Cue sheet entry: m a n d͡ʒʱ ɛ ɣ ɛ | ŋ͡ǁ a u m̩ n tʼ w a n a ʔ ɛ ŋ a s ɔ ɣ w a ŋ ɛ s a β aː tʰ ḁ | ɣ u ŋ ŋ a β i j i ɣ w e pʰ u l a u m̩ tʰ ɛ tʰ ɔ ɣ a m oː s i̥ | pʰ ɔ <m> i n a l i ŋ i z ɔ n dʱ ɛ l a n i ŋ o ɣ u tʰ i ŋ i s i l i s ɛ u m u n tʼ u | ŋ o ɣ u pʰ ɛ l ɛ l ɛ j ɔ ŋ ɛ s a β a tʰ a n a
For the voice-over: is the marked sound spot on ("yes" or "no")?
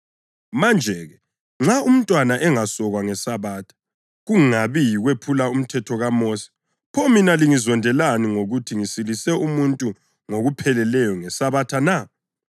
yes